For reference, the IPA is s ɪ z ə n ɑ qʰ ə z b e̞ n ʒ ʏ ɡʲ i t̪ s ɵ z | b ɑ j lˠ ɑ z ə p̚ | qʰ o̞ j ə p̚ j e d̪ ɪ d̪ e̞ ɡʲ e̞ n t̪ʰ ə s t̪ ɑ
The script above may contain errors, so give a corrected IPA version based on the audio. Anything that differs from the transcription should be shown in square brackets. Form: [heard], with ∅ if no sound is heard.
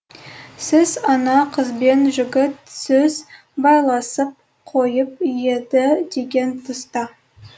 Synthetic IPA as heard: s ɪ z [ɑ] n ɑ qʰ ə z b e̞ n ʒ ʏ ɡʲ [ɪ] t̪ s ɵ z | b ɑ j lˠ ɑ [s] ə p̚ | qʰ o̞ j ə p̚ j e d̪ ɪ d̪ e̞ ɡʲ e̞ n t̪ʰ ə s t̪ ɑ

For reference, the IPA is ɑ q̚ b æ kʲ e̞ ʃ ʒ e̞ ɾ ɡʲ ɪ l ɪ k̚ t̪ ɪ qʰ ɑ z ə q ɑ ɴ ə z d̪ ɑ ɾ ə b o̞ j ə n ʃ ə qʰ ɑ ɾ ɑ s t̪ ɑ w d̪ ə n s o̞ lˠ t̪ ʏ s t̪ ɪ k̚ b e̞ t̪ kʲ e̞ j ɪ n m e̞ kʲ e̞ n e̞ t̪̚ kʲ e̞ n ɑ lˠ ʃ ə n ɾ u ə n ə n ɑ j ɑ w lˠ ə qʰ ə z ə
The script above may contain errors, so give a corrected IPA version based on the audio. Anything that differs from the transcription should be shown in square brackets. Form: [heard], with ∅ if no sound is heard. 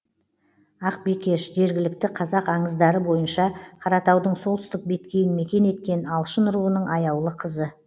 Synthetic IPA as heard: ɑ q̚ b [e] kʲ e̞ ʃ ʒ e̞ ɾ ɡʲ ɪ l ɪ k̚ t̪ ɪ qʰ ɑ z [ɑ] q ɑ ɴ ə z d̪ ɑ ɾ ə b o̞ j ə n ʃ [ɑ] qʰ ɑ ɾ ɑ [∅] t̪ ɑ w d̪ ə [ɴ] s o̞ lˠ t̪ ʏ s t̪ ɪ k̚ b e̞ t̪ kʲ e̞ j ɪ n m e̞ kʲ e̞ n e̞ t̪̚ kʲ e̞ n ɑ lˠ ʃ ə n ɾ u ə n ə [ɴ] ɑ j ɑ w lˠ ə qʰ ə z ə

